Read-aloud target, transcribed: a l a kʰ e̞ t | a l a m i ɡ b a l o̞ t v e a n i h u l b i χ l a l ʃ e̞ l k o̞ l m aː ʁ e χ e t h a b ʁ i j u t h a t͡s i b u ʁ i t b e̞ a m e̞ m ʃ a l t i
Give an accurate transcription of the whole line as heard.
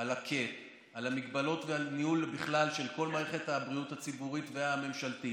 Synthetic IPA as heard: a l a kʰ e̞ t | a l a m i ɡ b a l o̞ t v e a n i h u l b i χ l a l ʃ e̞ l k o̞ l m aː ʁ e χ e t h a b ʁ i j u t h a t͡s i b u ʁ i t v e̞ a m e̞ m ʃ a l t i